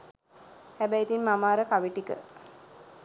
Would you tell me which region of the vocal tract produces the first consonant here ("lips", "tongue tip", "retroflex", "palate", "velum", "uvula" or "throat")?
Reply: throat